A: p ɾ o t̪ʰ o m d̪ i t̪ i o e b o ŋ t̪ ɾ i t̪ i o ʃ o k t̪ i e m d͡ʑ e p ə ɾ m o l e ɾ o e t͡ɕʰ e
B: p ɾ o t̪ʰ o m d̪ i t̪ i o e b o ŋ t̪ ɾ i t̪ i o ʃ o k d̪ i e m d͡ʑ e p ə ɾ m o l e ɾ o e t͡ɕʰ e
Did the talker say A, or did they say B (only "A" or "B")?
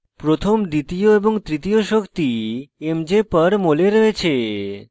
A